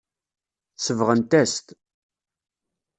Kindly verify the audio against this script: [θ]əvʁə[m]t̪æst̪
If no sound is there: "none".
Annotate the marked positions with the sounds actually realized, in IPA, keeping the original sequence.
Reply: s, n

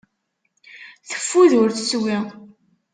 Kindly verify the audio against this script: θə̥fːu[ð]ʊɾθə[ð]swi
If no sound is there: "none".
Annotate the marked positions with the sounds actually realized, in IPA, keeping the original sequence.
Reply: ð, none

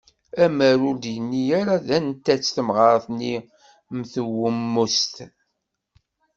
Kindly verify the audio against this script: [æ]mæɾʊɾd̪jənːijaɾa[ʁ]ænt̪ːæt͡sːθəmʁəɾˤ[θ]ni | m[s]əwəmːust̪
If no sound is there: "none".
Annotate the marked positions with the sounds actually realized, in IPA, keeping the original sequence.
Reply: æ, ð, θ, θ

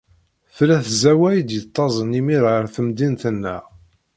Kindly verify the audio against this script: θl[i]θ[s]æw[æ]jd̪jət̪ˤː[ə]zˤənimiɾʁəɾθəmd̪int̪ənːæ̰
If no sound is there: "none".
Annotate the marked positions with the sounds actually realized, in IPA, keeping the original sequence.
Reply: æ, z, æ, ɑ

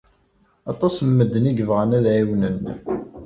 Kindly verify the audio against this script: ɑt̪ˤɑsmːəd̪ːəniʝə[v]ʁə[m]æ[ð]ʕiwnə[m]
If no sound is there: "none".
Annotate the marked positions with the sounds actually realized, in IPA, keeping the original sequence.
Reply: v, n, ð, n

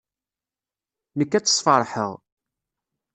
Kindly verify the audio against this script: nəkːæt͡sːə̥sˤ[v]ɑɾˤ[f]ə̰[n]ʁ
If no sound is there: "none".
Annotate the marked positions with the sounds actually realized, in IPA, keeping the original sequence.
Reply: f, ħ, none

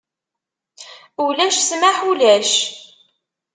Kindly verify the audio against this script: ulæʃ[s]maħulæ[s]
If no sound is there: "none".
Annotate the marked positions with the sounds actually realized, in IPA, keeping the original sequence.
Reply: s, ʃ

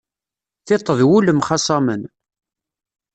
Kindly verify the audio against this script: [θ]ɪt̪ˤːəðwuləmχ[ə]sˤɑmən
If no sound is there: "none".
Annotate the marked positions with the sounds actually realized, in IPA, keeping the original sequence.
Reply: θ, ɑ

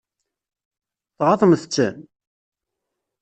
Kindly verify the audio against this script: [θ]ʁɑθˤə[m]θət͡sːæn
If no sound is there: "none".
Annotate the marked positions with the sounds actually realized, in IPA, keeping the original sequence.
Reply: θ, m

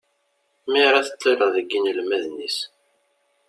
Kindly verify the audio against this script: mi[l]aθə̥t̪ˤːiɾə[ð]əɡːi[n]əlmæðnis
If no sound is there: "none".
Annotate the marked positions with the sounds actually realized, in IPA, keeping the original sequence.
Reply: ɾ, ð, n

